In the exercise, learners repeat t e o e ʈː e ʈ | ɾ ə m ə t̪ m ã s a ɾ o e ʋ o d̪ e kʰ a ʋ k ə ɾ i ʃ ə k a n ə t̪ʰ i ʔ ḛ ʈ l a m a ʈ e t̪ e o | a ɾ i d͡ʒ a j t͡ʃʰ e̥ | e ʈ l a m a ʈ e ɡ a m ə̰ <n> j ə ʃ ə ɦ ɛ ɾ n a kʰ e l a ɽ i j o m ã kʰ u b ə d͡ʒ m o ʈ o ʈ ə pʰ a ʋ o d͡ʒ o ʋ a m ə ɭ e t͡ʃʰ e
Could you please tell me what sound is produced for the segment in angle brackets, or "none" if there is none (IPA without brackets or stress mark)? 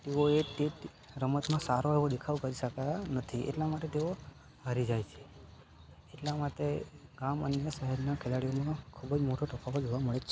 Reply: n